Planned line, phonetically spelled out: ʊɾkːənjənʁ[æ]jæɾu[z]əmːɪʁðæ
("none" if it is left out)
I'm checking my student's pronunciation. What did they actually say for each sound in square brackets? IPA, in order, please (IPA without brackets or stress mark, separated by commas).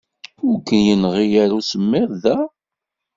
i, s